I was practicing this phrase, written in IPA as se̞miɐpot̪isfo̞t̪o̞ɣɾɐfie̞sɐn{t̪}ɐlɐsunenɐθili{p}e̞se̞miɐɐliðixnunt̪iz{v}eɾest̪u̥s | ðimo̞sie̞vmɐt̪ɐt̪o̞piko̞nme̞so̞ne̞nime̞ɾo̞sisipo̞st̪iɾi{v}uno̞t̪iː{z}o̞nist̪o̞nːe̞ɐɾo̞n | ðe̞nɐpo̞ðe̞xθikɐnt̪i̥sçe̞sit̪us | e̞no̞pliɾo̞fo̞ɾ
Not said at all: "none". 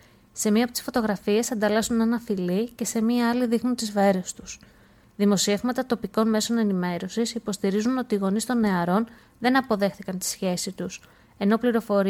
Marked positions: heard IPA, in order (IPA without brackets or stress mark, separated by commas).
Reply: d̪, c, v, z, ɣ